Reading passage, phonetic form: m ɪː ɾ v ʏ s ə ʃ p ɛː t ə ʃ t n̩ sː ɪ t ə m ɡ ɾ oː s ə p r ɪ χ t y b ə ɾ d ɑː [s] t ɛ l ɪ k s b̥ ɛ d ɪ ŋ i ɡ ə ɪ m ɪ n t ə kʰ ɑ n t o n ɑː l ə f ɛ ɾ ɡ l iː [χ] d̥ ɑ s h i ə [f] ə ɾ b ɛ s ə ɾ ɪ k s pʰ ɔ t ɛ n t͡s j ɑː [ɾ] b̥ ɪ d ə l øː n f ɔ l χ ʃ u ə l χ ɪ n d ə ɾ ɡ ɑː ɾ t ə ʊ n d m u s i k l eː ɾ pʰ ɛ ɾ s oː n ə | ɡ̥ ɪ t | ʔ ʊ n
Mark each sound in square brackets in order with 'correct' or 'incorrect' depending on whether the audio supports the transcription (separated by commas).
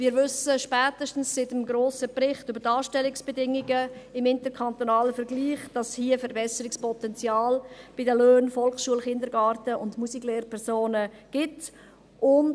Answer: incorrect, correct, correct, incorrect